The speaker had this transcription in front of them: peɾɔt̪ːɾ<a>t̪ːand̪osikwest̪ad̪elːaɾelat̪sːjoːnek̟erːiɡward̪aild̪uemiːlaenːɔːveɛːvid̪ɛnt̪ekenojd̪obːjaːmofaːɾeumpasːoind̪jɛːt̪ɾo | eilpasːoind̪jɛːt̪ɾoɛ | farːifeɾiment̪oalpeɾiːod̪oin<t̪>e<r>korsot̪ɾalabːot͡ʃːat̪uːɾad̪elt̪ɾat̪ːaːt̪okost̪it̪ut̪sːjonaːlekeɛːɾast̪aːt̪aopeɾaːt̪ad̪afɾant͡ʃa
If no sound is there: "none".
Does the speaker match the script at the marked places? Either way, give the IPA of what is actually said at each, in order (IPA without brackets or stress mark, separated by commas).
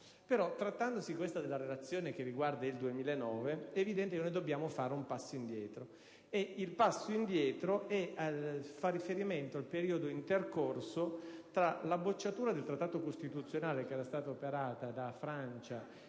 a, t̪, r